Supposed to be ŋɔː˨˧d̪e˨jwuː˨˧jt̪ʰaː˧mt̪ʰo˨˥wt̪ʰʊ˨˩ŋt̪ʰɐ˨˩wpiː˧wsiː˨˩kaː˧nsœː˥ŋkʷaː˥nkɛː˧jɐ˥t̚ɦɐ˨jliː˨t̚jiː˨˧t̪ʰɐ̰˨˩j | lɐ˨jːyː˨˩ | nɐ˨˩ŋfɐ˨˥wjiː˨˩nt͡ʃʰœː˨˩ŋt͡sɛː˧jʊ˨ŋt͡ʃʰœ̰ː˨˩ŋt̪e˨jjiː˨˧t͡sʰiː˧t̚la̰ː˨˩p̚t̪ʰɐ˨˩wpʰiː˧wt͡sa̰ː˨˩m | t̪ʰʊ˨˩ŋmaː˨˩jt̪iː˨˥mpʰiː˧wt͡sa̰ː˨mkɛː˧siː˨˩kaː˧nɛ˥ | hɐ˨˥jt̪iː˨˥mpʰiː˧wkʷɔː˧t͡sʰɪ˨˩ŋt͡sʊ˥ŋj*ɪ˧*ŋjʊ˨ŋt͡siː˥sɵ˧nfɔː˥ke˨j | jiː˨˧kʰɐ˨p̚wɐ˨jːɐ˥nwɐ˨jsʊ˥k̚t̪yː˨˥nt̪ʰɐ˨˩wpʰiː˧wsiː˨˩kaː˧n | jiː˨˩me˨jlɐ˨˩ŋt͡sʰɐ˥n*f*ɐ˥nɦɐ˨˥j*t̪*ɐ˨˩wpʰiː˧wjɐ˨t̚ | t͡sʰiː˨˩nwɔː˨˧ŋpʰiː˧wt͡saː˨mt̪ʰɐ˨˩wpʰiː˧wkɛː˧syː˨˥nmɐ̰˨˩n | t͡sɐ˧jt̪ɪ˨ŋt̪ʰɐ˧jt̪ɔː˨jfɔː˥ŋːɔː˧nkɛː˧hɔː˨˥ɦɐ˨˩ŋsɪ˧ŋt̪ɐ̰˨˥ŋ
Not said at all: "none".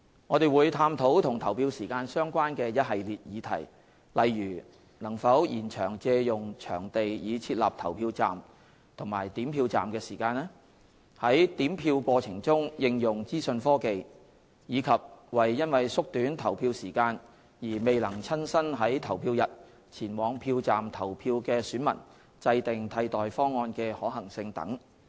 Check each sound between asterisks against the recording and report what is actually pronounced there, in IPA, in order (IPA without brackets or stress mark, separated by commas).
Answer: ɪ˧, s, t̪ʰ